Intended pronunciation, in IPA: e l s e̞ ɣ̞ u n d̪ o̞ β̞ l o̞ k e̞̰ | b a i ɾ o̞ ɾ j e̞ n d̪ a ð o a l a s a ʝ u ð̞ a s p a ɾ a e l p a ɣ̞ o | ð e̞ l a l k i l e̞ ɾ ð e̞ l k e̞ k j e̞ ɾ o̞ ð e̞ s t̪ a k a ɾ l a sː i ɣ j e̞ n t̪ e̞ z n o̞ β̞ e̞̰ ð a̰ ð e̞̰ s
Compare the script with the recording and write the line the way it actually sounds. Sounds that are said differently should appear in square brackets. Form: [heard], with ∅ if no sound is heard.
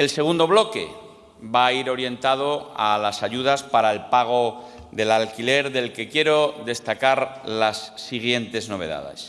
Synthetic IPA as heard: e l s e̞ ɣ̞ u n d̪ o̞ β̞ l o̞ k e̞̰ | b a i ɾ o̞ ɾ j e̞ n [t̪] a ð o a l a s a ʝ u ð̞ a s p a ɾ a e l p a ɣ̞ o | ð e̞ l a l k i l e̞ ɾ ð e̞ l k e̞ k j e̞ ɾ o̞ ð e̞ s t̪ a k a ɾ l a sː i ɣ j e̞ n t̪ e̞ z n o̞ β̞ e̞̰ ð a̰ ð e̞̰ s